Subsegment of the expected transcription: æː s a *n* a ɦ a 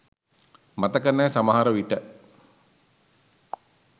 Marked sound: incorrect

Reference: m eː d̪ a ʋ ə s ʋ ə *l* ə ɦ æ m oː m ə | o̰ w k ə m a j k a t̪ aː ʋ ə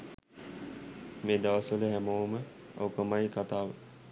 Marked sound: correct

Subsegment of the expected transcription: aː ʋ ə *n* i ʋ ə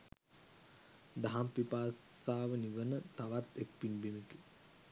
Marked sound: correct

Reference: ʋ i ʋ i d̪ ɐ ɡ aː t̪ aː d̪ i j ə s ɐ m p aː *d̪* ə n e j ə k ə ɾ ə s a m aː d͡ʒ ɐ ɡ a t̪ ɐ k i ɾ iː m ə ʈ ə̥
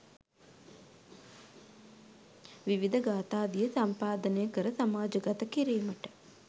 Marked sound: correct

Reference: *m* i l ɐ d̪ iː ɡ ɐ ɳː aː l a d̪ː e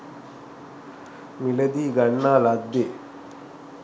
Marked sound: correct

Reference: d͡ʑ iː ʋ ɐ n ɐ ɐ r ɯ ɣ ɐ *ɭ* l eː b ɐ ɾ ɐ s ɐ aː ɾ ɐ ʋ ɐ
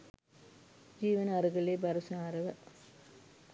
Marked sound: correct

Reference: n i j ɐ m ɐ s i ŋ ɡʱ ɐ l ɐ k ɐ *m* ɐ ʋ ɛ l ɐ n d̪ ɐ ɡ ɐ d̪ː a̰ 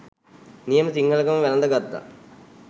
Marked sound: correct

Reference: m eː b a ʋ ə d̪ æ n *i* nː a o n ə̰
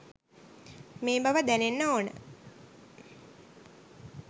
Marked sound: incorrect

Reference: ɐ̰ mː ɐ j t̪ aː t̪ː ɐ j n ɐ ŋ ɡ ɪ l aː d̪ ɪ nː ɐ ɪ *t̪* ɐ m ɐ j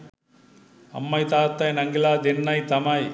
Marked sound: correct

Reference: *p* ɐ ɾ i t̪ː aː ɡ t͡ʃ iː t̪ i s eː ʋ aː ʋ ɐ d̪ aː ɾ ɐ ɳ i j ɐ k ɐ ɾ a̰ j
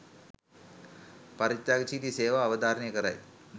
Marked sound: correct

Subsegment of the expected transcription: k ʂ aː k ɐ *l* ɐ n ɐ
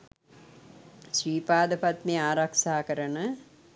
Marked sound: incorrect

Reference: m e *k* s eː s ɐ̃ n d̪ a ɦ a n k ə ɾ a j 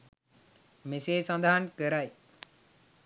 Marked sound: incorrect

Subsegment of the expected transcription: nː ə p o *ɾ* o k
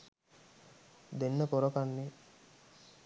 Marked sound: correct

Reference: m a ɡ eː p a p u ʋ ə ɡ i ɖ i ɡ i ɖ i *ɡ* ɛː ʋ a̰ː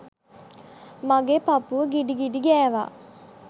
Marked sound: correct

